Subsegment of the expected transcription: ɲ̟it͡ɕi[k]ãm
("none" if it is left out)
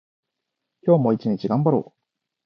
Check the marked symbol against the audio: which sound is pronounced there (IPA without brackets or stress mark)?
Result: ɡ